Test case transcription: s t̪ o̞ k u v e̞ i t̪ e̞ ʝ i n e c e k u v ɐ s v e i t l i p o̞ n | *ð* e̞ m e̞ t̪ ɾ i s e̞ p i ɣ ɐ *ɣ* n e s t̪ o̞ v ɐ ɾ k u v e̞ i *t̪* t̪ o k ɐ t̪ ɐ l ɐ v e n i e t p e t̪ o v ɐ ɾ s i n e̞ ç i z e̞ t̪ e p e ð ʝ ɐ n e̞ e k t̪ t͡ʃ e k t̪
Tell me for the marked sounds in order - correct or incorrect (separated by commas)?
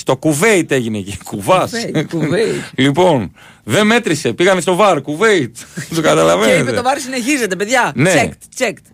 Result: correct, incorrect, correct